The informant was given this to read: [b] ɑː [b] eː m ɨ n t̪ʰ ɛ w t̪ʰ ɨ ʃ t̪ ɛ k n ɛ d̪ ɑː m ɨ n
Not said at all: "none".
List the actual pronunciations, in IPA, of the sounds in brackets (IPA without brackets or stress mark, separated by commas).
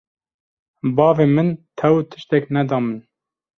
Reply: b, v